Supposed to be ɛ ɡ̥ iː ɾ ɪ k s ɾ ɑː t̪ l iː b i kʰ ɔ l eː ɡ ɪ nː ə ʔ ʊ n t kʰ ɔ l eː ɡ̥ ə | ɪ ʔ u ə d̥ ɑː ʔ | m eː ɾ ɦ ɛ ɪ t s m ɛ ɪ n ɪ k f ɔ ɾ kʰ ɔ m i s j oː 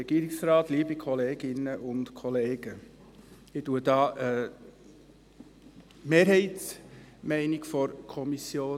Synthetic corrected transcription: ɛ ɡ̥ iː ɾ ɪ k s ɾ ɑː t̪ l iː b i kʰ ɔ l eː ɡ ɪ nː ə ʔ ʊ n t kʰ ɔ l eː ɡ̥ ə | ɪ t u ə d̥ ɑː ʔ | m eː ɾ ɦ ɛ ɪ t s m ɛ ɪ n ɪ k f ɔ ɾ kʰ ɔ m i s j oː